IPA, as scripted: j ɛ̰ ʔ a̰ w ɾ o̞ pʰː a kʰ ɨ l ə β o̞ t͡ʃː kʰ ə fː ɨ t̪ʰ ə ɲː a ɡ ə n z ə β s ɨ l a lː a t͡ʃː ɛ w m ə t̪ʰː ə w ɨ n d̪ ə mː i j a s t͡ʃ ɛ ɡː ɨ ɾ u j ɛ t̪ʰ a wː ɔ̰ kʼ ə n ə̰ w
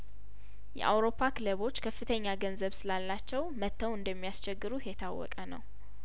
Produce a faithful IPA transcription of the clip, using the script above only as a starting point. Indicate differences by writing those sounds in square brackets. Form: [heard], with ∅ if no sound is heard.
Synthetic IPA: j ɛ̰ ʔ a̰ w ɾ o̞ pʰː a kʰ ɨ l ə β o̞ t͡ʃː kʰ ə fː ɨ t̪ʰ ə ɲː a ɡ ə n z ə β s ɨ l a lː a t͡ʃː ɛ w m ə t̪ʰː ə w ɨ n d̪ ə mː i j a s t͡ʃ ɛ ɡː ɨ ɾ u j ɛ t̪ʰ a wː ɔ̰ kʼ ə n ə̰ w